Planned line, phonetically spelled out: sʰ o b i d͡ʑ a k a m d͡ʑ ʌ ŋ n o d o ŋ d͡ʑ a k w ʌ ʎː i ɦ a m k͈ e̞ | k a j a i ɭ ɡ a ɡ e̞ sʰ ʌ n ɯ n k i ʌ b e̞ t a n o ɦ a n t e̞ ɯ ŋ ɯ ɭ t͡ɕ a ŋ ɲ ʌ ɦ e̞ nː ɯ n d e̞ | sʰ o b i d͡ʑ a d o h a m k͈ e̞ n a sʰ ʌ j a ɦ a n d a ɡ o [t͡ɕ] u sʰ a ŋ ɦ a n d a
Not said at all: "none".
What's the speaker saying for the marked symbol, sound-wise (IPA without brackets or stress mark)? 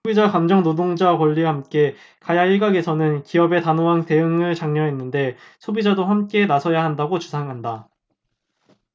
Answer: t͡ɕ